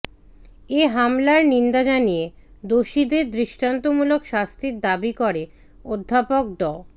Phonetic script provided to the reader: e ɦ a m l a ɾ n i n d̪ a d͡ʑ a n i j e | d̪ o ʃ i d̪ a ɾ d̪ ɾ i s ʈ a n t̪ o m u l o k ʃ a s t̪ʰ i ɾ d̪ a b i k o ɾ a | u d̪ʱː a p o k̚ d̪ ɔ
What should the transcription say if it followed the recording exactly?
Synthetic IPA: e ɦ a m l a ɾ n i n d̪ a d͡ʑ a n i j e | d̪ o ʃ i d̪ e ɾ d̪ ɾ i ʃ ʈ a n t̪ o m u l o k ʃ a s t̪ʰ i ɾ d̪ a b i k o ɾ e | o d̪ʱː a p o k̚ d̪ ɔ